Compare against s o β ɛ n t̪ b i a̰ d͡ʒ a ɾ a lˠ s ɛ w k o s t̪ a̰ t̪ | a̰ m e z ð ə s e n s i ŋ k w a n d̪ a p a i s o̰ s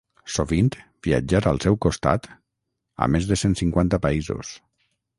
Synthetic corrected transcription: s o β i n t̪ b i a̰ d͡ʒ a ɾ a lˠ s ɛ w k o s t̪ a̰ t̪ | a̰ m e z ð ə s e n s i ŋ k w a n t̪ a p a i z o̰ s